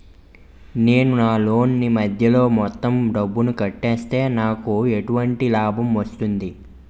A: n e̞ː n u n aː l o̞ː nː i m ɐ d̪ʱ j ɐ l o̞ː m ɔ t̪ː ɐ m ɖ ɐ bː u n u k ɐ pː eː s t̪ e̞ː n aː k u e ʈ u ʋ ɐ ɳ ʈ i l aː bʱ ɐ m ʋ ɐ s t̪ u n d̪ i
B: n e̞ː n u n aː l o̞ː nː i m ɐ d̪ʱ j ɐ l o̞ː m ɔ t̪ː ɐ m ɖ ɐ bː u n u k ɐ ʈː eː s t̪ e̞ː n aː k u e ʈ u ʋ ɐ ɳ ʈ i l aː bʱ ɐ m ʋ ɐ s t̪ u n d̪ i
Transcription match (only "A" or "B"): B